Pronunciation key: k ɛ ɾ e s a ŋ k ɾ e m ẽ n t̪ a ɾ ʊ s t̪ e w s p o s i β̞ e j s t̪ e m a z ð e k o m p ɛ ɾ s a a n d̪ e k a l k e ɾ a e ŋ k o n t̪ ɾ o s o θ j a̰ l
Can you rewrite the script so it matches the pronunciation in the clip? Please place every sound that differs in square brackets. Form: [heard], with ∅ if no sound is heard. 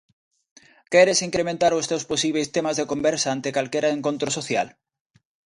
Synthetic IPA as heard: k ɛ ɾ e s [i] ŋ k ɾ e m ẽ n t̪ a ɾ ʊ s t̪ e w s p o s i β̞ e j s t̪ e m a z ð e k o m [b] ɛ ɾ s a a n [t̪] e k a l k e ɾ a e ŋ k o n t̪ ɾ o s o θ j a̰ l